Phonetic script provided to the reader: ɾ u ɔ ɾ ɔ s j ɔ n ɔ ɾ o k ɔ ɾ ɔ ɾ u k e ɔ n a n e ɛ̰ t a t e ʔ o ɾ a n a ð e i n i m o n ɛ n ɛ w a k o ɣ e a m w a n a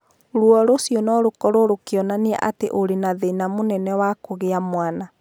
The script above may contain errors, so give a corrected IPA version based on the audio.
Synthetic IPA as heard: ɾ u ɔ ɾ o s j ɔ n ɔ ɾ o k ɔ ɾ o ɾ o k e ɔ n a n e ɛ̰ ʔ a t e ʔ o ɾ e n a ð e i n a m o n ɛ n ɛ w a k o ɣ e a m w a n a